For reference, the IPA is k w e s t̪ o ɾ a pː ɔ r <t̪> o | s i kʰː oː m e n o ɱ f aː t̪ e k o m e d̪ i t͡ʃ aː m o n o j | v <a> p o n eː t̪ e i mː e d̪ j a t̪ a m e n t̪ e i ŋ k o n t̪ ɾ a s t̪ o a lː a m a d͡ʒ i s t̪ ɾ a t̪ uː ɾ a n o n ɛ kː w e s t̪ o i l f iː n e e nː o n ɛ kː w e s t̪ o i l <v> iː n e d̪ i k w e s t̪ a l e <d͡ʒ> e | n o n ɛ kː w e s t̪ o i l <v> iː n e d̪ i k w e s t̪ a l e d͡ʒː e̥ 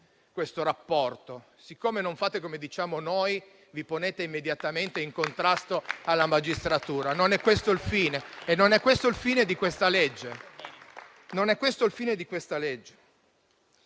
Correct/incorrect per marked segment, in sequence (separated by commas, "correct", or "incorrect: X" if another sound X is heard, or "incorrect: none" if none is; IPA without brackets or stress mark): correct, incorrect: i, incorrect: f, incorrect: d͡ʒː, incorrect: f